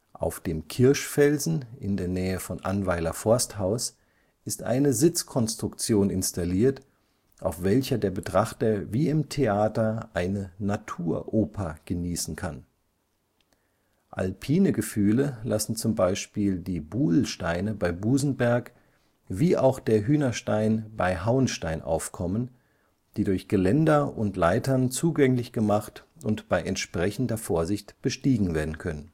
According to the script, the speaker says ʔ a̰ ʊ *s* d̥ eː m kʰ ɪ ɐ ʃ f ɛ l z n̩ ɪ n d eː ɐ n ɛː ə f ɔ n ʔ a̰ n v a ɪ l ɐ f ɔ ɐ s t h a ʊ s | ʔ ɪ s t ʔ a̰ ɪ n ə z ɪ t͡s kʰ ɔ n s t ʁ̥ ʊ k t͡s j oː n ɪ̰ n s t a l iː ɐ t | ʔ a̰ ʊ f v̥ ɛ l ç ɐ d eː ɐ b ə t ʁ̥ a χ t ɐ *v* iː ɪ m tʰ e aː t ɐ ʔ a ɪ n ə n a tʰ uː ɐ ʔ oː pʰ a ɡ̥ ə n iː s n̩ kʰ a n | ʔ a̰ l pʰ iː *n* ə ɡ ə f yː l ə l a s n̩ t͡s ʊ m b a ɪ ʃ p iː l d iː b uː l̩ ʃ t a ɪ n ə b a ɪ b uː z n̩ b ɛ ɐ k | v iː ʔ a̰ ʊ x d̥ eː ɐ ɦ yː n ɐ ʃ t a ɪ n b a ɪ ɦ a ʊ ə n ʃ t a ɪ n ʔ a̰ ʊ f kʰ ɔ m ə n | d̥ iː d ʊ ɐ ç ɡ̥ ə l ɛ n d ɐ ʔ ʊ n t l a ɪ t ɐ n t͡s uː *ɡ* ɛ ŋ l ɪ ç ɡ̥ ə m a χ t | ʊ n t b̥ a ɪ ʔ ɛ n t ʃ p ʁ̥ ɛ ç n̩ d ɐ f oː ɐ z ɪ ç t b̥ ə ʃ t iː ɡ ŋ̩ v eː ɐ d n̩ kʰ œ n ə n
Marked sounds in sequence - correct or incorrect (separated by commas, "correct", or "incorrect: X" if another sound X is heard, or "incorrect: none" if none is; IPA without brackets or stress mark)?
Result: incorrect: f, correct, correct, correct